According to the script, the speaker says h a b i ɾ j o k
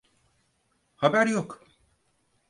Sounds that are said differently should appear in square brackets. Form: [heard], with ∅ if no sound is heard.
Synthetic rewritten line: h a b [æ] ɾ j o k